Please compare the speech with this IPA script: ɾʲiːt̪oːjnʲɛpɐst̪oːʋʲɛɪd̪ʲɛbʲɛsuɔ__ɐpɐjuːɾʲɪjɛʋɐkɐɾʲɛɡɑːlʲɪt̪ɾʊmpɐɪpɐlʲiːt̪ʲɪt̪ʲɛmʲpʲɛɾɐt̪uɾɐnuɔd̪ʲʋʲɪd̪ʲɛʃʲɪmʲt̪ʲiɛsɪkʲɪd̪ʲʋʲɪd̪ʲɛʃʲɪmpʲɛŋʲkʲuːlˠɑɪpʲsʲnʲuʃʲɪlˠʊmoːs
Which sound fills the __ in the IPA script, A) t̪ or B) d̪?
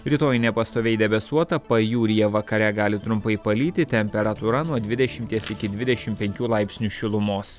A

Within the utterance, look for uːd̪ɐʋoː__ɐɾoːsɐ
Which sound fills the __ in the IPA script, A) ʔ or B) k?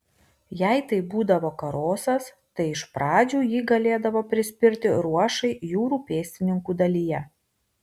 B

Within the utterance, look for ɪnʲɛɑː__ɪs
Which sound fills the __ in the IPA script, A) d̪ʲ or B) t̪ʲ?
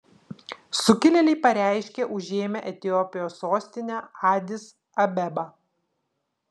A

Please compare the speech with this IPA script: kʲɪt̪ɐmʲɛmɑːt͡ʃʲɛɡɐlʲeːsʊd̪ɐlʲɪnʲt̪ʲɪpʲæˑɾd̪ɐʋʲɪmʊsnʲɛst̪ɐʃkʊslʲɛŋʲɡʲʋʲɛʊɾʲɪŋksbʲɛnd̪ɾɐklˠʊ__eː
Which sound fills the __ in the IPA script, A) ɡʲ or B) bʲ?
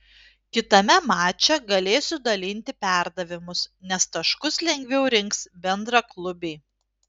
B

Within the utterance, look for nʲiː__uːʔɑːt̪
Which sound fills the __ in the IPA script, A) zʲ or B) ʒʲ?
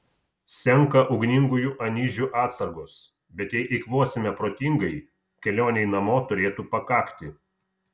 B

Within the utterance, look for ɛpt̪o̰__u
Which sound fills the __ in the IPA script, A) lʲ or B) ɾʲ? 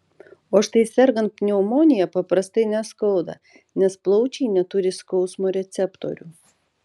B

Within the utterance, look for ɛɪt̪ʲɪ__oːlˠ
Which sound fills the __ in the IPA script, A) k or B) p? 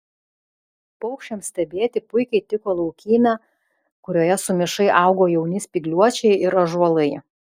A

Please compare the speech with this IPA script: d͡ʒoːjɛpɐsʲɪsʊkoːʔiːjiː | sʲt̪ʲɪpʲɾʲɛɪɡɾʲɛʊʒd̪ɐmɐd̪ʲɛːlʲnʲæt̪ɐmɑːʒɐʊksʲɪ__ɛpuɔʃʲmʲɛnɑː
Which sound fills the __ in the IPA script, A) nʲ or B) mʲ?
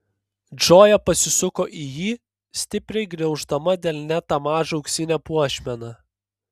A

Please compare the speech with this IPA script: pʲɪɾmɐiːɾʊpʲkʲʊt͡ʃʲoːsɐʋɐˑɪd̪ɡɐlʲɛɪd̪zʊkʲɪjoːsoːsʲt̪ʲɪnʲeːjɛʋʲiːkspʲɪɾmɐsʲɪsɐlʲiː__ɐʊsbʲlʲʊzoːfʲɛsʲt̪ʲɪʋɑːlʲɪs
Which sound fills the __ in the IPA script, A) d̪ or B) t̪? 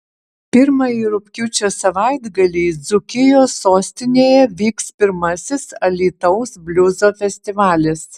B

